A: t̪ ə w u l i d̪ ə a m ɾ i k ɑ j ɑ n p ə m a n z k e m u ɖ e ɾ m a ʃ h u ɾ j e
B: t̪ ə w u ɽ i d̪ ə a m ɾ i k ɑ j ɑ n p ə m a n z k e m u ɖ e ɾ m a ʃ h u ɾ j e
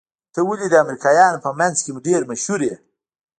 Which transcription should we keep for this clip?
A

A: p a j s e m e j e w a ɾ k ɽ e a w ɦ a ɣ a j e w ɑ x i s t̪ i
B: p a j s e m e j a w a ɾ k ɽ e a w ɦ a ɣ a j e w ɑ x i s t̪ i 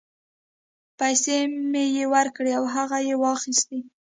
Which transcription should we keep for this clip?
A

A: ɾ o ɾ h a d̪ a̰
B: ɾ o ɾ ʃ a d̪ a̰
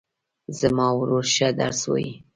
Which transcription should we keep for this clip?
B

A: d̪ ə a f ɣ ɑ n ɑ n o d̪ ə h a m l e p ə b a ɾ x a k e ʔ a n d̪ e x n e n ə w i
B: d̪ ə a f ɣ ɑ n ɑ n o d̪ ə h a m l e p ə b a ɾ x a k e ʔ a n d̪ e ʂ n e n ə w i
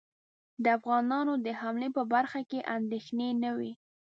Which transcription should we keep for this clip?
A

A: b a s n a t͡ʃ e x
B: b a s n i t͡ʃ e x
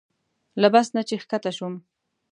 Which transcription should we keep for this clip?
A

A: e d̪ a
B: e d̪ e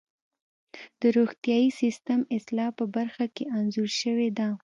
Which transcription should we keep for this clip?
A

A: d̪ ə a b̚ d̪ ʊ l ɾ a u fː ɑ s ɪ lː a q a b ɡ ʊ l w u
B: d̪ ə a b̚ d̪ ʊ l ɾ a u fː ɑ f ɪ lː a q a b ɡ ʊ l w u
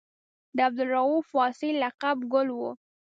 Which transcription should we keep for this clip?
A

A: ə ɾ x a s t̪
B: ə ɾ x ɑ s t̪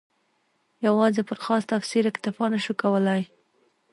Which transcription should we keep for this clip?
B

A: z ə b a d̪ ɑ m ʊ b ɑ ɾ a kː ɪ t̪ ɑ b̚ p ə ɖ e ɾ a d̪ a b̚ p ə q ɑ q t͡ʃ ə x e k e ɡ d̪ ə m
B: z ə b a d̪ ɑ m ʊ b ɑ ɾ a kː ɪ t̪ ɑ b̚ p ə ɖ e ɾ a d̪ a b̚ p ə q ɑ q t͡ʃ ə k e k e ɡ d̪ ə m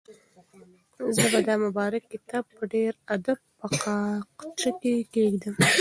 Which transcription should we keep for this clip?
B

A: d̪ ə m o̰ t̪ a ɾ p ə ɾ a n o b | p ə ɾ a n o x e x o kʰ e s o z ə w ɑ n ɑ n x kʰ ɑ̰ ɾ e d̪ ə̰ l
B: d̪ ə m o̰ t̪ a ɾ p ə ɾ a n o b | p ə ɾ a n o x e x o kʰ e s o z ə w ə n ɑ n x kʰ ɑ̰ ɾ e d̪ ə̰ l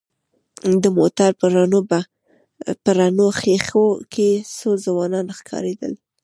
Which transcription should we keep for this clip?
A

